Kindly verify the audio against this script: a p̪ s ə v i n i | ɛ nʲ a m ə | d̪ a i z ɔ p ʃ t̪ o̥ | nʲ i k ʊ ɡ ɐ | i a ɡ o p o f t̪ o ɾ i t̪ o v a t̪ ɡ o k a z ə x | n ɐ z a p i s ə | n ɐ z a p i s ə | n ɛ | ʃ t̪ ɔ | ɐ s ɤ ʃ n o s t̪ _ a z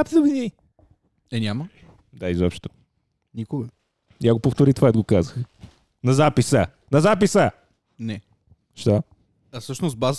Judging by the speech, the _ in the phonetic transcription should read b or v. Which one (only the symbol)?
b